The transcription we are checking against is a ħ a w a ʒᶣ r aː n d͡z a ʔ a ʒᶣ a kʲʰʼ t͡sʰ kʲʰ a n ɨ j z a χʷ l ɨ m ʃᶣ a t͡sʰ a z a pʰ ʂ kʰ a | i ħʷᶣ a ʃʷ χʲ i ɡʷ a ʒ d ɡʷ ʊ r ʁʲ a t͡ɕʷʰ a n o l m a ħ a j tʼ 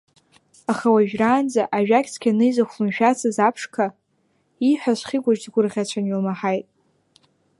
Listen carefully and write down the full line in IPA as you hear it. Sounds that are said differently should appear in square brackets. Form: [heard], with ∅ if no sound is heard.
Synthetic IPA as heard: a [χ] a w a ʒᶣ r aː n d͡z a ʔ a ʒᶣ a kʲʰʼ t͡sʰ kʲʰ a n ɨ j z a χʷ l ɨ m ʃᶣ a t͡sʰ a z a pʰ ʂ kʰ a | i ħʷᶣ a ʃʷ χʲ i ɡʷ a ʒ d ɡʷ ʊ r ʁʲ a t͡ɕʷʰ a n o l m a ħ a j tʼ